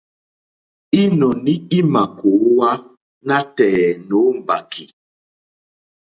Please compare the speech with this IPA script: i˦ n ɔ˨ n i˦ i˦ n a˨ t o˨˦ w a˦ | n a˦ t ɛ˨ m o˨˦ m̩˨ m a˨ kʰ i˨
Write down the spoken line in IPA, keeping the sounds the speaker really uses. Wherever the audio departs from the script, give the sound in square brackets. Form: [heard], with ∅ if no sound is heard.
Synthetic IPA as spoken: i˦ n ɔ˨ n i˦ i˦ [m] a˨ [k] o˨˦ w a˦ | n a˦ t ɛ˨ [n] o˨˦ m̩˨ [b] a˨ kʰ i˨

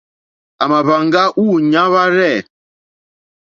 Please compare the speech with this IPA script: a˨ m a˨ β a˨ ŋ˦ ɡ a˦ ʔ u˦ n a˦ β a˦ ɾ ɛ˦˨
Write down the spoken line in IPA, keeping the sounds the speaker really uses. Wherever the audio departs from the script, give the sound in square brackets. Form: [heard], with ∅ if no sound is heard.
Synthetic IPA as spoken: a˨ m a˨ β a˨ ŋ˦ ɡ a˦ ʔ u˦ [ɲ] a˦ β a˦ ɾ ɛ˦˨

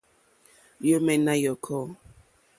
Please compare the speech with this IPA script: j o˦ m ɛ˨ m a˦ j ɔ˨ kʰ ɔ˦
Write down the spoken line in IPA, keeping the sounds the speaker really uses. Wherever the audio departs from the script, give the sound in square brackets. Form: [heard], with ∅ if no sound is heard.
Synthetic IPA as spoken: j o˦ m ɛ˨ [n] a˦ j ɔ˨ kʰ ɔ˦

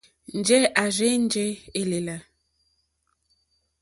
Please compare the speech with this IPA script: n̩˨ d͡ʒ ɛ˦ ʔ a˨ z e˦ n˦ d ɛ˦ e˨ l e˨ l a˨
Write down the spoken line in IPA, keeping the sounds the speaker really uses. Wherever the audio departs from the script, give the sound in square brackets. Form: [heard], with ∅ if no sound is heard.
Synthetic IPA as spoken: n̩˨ d͡ʒ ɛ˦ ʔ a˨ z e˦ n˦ [d͡ʒ] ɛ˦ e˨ l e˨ l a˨

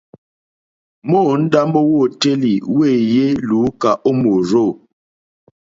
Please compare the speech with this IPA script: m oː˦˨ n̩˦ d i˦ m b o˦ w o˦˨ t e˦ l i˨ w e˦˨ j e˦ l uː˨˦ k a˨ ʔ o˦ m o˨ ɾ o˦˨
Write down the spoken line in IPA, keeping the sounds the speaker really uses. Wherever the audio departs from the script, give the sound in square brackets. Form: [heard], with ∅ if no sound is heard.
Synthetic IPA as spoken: m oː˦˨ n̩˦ d [a˦] m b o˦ w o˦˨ t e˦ l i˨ w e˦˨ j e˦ l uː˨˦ k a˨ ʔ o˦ m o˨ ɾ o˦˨

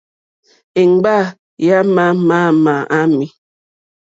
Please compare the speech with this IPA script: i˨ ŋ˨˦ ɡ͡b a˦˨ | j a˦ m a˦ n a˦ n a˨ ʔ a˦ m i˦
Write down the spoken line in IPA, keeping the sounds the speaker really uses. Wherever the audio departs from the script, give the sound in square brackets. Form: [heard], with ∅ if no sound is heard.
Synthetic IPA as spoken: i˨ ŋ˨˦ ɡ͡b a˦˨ | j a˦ m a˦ [m] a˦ [m] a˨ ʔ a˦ m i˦

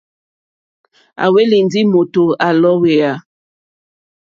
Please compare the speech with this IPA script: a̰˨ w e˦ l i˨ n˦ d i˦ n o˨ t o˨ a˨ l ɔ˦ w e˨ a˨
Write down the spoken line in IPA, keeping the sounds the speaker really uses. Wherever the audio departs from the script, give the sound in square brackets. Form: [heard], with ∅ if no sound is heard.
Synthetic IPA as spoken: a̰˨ w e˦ l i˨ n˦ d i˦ [m] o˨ t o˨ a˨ l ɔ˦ w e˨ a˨

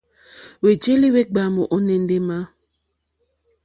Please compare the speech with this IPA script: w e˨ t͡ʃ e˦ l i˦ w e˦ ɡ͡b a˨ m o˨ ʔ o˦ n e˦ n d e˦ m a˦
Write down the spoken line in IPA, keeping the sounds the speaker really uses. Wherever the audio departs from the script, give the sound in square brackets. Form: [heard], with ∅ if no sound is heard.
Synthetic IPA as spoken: w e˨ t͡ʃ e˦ l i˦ w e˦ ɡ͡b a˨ m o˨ ʔ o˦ n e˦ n d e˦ m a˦

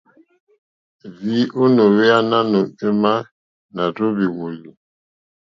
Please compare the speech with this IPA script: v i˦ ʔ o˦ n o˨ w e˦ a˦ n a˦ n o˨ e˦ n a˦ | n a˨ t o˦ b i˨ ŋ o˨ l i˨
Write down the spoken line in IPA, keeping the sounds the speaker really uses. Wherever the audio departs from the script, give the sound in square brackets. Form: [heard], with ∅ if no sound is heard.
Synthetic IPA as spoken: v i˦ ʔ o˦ n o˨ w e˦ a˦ n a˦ n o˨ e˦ [m] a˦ | n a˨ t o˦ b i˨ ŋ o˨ l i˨

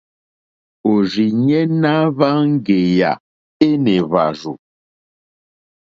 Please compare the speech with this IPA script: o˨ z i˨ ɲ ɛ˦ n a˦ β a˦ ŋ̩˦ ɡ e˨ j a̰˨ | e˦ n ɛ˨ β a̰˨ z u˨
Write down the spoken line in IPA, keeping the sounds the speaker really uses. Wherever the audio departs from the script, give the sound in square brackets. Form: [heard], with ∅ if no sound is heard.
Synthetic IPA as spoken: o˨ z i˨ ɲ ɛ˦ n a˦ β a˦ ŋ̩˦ ɡ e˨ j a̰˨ | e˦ n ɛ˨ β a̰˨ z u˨

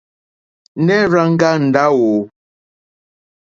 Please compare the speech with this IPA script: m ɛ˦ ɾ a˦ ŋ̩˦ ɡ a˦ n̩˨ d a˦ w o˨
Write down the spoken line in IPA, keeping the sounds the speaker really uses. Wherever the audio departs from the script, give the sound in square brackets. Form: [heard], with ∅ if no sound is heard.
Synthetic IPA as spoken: [n] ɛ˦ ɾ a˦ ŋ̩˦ ɡ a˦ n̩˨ d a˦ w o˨

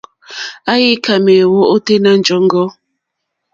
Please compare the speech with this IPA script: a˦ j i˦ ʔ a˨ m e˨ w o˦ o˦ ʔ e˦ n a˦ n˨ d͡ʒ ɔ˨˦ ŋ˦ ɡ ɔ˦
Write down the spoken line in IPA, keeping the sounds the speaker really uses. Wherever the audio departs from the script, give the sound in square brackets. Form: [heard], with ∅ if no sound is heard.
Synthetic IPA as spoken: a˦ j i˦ [k] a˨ m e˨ w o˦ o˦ [t] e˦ n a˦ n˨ d͡ʒ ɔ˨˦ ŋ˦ ɡ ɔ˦

